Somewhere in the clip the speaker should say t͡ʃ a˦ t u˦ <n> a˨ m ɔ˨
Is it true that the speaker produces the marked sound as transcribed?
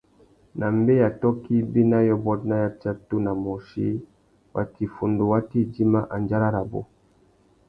yes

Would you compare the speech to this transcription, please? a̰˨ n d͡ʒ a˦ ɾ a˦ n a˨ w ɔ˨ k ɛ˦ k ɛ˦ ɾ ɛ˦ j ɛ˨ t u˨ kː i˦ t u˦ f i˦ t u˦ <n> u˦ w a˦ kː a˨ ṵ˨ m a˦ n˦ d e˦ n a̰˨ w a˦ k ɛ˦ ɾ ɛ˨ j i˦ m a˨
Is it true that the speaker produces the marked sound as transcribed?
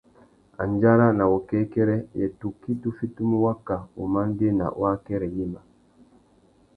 no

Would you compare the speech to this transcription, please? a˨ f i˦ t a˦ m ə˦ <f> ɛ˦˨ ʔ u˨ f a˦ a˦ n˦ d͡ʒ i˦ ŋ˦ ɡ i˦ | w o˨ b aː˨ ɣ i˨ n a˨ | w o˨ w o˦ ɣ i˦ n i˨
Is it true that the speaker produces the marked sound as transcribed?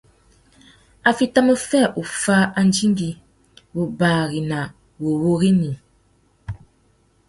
yes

